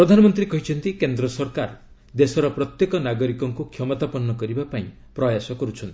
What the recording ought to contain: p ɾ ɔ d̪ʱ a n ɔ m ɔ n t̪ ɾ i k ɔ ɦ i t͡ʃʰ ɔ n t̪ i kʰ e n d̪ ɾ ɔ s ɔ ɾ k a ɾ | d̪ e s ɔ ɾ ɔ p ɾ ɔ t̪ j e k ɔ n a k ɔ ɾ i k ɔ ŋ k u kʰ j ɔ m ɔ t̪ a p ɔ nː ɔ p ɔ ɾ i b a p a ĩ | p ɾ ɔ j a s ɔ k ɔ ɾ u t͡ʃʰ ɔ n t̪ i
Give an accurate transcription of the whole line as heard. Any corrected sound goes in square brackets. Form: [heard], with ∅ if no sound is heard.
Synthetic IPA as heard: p ɾ ɔ d̪ʱ a n ɔ m ɔ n t̪ ɾ i k ɔ ɦ i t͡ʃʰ ɔ n t̪ i [k] e n d̪ ɾ ɔ s ɔ ɾ k a ɾ | d̪ e s ɔ ɾ ɔ p ɾ ɔ t̪ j e k ɔ n a [ɡ] ɔ ɾ i k ɔ ŋ k u kʰ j ɔ m ɔ t̪ a p ɔ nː ɔ [k] ɔ ɾ i b a p a ĩ | p ɾ ɔ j a s ɔ k ɔ ɾ u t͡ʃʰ ɔ n t̪ i

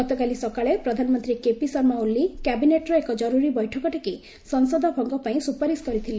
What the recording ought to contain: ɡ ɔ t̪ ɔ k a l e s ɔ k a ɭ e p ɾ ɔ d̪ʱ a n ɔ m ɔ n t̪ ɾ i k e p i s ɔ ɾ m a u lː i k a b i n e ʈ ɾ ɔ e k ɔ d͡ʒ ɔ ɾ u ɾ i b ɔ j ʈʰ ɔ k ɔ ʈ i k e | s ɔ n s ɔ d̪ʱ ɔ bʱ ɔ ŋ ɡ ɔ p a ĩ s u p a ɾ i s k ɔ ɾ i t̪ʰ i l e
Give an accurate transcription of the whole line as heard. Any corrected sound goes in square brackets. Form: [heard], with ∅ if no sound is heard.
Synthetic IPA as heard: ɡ ɔ t̪ ɔ k a l [i] s ɔ k a ɭ e p ɾ ɔ d̪ʱ a n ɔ m ɔ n t̪ ɾ i k e p i s ɔ ɾ m a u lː i k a b i n e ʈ ɾ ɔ e k ɔ d͡ʒ ɔ ɾ u ɾ i b ɔ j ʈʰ ɔ k ɔ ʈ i k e | s ɔ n s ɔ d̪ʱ ɔ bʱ ɔ ŋ ɡ ɔ p a ĩ s u p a ɾ i s k ɔ ɾ i t̪ʰ i l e

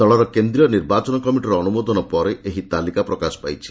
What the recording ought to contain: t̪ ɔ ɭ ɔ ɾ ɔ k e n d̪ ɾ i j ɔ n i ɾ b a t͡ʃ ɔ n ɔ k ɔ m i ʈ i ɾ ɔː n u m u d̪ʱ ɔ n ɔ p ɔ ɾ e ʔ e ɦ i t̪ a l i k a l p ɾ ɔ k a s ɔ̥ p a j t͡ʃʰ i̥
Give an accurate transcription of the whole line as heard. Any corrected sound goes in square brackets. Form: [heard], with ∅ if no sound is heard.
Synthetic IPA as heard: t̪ ɔ ɭ ɔ ɾ ɔ k e n d̪ ɾ i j ɔ n i ɾ b a t͡ʃ ɔ n ɔ k ɔ m i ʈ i ɾ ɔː n u m [o] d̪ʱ ɔ n ɔ p ɔ ɾ e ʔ e ɦ i t̪ a l i k a [∅] p ɾ ɔ k a s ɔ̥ p a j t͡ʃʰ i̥

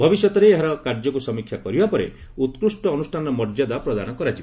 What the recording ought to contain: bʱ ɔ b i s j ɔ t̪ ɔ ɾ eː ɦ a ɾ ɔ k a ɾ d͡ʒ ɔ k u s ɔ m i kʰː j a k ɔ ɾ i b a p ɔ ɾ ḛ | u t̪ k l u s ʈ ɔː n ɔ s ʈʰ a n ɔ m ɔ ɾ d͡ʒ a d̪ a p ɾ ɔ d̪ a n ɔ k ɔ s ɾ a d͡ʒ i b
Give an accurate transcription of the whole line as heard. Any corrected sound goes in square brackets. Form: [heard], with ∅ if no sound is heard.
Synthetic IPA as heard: bʱ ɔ b i s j ɔ t̪ ɔ ɾ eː ɦ a ɾ ɔ k a ɾ d͡ʒ ɔ k u s ɔ m i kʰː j a k ɔ ɾ i b a p ɔ ɾ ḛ | u t̪ k [ɾ] u s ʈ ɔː n [u] s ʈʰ a n ɔ m ɔ ɾ d͡ʒ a d̪ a p ɾ ɔ d̪ a n ɔ k ɔ [∅] ɾ a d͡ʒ i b

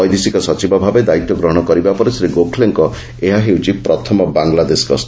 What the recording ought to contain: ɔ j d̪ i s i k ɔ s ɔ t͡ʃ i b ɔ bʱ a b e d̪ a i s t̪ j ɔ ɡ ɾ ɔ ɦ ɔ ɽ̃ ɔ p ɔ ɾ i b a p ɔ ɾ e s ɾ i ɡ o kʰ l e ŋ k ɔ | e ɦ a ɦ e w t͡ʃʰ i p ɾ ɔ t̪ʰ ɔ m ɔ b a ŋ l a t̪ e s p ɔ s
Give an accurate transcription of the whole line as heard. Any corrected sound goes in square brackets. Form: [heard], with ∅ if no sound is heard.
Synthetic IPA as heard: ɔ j d̪ i s i k ɔ s ɔ t͡ʃ i b ɔ bʱ a b e d̪ a i [∅] t̪ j ɔ ɡ ɾ ɔ ɦ ɔ ɽ̃ ɔ [k] ɔ ɾ i b a p ɔ ɾ e s ɾ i ɡ o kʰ l e ŋ k ɔ | e ɦ a ɦ e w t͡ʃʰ i p ɾ ɔ t̪ʰ ɔ m ɔ b a ŋ l a [d̪] e s [k] ɔ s

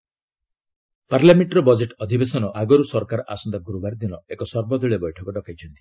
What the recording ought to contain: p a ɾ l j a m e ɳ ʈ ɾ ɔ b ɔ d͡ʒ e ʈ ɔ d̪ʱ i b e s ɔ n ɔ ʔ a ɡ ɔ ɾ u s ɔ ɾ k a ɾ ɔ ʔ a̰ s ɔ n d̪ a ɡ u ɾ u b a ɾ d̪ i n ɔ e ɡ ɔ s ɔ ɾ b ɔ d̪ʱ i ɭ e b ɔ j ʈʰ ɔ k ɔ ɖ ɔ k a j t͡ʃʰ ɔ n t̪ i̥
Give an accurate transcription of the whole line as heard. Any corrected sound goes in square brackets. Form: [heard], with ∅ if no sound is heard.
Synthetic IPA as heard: p a ɾ l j a m e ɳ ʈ ɾ ɔ b ɔ d͡ʒ e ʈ ɔ d̪ʱ i b e s ɔ n ɔ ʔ a ɡ ɔ ɾ u s ɔ ɾ k a ɾ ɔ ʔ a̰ s ɔ n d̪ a ɡ u ɾ u b a ɾ d̪ i n ɔ e [k] ɔ s ɔ ɾ b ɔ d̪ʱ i ɭ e b ɔ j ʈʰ ɔ k ɔ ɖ ɔ k a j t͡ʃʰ ɔ n t̪ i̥

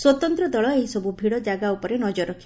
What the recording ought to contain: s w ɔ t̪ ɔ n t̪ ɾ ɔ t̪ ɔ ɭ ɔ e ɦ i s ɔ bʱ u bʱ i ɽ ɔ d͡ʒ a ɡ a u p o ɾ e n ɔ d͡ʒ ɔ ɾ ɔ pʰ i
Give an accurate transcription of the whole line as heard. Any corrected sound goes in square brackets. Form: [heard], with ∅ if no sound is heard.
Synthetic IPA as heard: s w ɔ t̪ ɔ n t̪ ɾ ɔ [d̪] ɔ ɭ ɔ e ɦ i s ɔ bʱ u bʱ i ɽ ɔ d͡ʒ a ɡ a u p [ɔ] ɾ e n ɔ d͡ʒ ɔ ɾ ɔ [kʰ] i

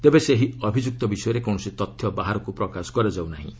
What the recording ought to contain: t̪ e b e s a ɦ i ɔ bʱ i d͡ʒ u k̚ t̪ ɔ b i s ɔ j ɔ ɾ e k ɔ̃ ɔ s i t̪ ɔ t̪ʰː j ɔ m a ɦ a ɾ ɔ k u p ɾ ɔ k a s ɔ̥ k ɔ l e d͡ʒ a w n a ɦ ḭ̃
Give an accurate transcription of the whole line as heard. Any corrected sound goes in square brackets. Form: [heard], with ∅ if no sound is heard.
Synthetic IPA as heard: t̪ e b e s [e] ɦ i ɔ bʱ i d͡ʒ u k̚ t̪ ɔ b i s ɔ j ɔ ɾ e k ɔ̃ ɔ s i t̪ ɔ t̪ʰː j ɔ [b] a ɦ a ɾ ɔ k u p ɾ ɔ k a s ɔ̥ k ɔ [ɾ] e d͡ʒ a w n a ɦ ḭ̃

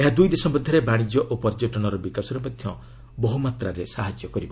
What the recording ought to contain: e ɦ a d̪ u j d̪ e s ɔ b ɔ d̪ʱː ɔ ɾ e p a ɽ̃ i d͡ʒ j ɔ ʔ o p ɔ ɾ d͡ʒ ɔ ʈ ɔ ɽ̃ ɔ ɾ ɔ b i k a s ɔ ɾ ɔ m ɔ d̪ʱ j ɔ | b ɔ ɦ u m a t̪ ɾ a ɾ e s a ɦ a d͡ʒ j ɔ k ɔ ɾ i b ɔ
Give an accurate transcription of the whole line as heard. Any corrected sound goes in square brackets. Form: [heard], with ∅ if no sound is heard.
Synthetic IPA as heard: e ɦ a d̪ u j d̪ e s ɔ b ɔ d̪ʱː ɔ ɾ e [b] a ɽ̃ i d͡ʒ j ɔ ʔ o p ɔ ɾ d͡ʒ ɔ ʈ ɔ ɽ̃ ɔ ɾ ɔ b i k a s ɔ ɾ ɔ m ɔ d̪ʱ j ɔ | b ɔ ɦ u m a t̪ ɾ a ɾ e s a ɦ a d͡ʒ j ɔ k ɔ ɾ i b ɔ

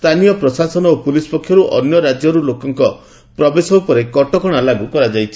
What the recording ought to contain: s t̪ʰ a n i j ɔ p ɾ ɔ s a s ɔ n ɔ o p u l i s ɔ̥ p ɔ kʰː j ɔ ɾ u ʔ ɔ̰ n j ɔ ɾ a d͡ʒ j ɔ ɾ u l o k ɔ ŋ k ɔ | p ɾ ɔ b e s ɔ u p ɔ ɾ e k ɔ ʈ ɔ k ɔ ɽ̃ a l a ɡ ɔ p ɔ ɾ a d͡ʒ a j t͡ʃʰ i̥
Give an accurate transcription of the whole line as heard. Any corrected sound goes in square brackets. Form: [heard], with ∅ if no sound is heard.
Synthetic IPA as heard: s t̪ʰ a n i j ɔ p ɾ ɔ s a s ɔ n ɔ o p u l i s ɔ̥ p ɔ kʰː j ɔ ɾ u ʔ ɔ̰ n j ɔ ɾ a d͡ʒ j ɔ ɾ u l o k ɔ ŋ k ɔ | p ɾ ɔ b e s ɔ u p ɔ ɾ e k ɔ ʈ ɔ k ɔ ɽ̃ a l a ɡ [u] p ɔ ɾ a d͡ʒ a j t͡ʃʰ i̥

